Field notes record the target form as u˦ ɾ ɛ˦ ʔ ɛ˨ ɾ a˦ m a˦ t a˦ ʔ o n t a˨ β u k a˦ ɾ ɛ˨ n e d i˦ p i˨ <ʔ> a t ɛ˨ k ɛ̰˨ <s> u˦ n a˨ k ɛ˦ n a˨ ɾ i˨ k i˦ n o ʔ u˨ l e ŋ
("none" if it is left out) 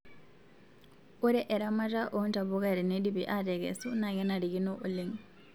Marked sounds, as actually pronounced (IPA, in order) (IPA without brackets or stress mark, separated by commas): ʔ, s